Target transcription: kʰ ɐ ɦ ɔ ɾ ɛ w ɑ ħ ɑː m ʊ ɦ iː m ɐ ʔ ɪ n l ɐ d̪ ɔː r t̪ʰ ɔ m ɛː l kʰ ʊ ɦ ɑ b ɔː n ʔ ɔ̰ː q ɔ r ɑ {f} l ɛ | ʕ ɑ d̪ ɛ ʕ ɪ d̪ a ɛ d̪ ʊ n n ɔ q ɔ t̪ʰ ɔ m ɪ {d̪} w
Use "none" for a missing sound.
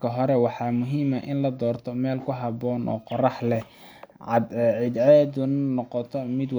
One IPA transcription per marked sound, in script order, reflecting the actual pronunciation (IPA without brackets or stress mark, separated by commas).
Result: ħ, d̪